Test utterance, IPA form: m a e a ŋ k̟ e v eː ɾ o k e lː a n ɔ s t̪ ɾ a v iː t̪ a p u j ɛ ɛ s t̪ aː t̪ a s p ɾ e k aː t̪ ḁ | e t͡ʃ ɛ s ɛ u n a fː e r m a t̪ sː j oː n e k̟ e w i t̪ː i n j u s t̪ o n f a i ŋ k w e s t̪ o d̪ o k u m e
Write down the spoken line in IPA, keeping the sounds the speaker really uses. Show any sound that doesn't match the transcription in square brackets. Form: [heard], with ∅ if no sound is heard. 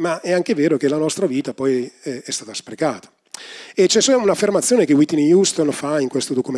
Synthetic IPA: m a [ɛ] a ŋ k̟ e v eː ɾ o k e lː a n ɔ s t̪ ɾ a v iː t̪ a p [ɔ] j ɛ ɛ s t̪ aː t̪ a s p ɾ e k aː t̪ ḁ | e t͡ʃ ɛ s ɛ u n a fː e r m a t̪ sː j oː n e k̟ e w i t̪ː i n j u s t̪ o n f a i ŋ k w e s t̪ o d̪ o k u m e